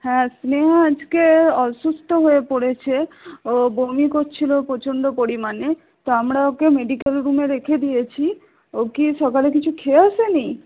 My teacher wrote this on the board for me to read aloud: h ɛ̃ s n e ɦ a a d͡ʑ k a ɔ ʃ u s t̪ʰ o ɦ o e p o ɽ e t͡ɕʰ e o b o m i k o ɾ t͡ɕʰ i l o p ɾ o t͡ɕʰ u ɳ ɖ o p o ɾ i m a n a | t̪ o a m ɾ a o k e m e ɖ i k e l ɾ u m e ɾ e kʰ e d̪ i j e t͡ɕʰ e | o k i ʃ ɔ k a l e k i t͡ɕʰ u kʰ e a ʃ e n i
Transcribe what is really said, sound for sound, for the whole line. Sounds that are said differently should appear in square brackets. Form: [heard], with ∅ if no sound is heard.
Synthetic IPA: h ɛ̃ s n e ɦ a a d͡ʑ k [e] ɔ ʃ u s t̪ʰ o ɦ o e p o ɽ e t͡ɕʰ e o b o m i k o ɾ t͡ɕʰ i l o p ɾ o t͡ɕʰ [o] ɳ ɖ o p o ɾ i m a n [e] | t̪ o a m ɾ a o k e m e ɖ i k e l ɾ u m e ɾ e kʰ e d̪ i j e t͡ɕʰ [i] | o k i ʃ ɔ k a l e k i t͡ɕʰ u kʰ e a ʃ e n i